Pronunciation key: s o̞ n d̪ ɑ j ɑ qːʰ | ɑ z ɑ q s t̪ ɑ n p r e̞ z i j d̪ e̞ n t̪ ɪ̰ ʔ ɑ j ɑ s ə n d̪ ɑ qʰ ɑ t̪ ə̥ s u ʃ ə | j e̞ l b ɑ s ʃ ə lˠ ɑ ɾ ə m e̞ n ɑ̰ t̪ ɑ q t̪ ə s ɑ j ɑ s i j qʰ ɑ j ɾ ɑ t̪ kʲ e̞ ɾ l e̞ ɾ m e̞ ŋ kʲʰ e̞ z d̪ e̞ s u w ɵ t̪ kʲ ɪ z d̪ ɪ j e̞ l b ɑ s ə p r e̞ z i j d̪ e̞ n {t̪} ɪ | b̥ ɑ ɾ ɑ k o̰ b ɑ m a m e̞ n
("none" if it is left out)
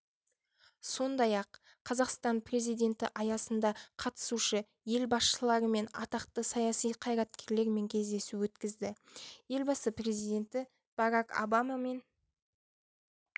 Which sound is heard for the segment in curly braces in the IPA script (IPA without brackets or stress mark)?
t̪